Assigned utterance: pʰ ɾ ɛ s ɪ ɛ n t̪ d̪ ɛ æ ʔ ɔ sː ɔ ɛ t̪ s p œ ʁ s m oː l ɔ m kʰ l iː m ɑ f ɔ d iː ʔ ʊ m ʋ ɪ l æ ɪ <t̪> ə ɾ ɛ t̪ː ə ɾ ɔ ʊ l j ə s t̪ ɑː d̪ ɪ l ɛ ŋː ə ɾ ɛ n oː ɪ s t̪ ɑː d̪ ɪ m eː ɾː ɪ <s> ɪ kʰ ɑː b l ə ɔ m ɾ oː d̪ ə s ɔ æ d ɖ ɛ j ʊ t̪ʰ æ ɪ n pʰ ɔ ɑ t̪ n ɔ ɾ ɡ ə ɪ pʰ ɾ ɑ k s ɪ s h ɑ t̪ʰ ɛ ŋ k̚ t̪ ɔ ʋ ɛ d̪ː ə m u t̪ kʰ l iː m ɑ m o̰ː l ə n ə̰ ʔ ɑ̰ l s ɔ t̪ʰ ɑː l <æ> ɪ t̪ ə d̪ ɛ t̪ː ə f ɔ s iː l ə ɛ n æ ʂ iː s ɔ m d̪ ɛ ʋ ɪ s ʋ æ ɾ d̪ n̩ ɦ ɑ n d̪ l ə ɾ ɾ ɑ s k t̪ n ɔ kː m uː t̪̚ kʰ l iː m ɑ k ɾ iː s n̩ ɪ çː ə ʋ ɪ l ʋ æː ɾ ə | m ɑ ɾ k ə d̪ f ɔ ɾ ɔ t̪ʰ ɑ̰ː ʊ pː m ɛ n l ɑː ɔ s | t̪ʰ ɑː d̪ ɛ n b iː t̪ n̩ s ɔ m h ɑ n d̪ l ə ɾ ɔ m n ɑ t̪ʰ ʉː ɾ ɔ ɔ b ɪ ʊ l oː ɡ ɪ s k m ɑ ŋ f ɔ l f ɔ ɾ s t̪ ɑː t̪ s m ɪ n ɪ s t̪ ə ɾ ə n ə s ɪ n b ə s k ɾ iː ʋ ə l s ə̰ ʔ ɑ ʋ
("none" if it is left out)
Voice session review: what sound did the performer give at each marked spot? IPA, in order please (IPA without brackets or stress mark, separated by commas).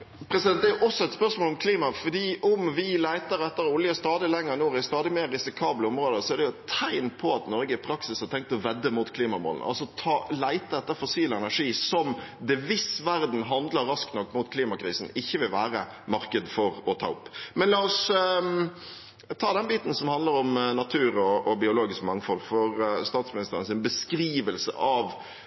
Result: t̪, s, æ